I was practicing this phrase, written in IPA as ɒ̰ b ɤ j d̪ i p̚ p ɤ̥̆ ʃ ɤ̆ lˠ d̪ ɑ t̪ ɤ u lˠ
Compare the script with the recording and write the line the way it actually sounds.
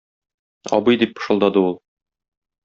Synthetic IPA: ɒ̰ b ɤ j d̪ i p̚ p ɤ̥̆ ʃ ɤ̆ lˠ d̪ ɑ d̪ ɤ u lˠ